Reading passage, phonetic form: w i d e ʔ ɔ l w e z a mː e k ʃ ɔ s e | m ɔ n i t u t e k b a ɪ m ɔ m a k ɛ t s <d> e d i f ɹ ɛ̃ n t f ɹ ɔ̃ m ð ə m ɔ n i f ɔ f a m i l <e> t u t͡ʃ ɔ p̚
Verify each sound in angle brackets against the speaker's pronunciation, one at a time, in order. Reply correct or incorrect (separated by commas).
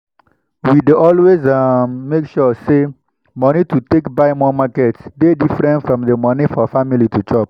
correct, incorrect